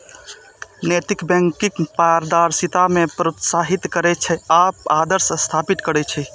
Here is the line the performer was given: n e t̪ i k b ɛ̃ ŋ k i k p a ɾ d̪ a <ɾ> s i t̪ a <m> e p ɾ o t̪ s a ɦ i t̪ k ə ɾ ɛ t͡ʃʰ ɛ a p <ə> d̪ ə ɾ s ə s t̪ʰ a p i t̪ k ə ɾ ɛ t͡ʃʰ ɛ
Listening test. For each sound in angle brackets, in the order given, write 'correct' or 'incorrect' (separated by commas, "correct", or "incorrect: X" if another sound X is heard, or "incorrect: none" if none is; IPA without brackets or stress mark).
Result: correct, correct, incorrect: a